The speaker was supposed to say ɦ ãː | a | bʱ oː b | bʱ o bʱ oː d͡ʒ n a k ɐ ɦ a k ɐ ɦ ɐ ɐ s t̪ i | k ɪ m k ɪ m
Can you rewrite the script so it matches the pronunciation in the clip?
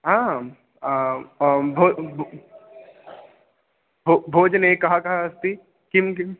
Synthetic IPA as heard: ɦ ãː | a | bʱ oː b | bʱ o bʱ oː d͡ʒ n e k ɐ ɦ a k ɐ ɦ a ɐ s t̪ i | k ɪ m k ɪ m